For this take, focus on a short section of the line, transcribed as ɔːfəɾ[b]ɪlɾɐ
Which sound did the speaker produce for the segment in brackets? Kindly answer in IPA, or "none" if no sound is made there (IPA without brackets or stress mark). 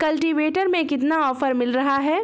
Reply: m